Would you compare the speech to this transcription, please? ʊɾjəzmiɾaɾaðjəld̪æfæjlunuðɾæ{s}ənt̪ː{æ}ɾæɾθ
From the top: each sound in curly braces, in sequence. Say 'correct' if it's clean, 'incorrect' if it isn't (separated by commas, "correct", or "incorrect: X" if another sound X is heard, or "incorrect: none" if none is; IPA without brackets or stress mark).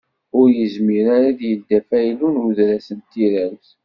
correct, incorrect: i